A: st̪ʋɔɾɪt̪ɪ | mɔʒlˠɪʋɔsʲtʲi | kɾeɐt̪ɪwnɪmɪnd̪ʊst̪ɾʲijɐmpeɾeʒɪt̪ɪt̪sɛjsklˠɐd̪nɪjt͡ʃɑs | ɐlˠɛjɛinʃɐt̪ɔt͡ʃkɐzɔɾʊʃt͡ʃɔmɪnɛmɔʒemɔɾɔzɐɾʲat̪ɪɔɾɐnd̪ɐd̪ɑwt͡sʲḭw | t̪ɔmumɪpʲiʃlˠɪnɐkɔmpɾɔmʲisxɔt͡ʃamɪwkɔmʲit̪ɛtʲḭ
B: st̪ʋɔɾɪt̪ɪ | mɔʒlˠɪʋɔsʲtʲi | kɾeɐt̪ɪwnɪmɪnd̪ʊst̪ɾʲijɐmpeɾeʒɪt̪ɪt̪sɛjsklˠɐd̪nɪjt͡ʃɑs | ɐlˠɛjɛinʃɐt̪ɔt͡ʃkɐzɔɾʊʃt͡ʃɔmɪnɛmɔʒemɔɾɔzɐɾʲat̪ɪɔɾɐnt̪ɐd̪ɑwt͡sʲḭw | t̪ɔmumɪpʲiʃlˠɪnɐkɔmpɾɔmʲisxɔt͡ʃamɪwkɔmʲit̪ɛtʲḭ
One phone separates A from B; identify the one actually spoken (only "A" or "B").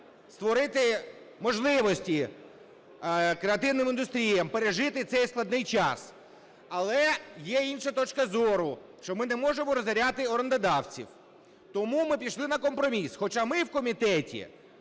A